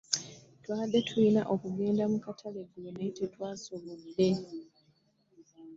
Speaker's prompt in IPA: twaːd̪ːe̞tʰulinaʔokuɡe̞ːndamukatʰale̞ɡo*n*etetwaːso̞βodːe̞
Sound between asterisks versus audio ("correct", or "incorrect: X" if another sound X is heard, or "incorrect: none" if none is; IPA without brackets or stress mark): correct